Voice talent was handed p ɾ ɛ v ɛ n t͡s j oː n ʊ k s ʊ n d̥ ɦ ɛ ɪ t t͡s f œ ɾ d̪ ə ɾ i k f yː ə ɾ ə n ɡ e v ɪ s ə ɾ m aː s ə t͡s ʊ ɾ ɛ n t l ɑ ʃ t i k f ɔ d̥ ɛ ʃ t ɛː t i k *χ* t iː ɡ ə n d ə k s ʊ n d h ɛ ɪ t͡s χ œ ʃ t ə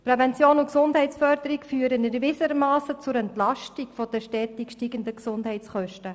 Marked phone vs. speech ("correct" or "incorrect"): incorrect